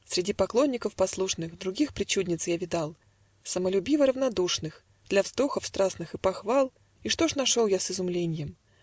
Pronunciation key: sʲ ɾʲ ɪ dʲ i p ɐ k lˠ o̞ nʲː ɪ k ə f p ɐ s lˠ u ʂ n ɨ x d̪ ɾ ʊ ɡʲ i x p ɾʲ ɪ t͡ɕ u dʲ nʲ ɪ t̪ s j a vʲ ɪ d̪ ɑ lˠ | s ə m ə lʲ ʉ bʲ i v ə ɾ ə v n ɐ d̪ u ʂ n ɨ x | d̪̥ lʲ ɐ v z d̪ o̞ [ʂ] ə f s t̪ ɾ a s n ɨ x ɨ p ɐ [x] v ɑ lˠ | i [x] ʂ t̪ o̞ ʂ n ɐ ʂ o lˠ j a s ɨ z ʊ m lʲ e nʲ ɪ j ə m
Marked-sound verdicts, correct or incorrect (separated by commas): incorrect, correct, incorrect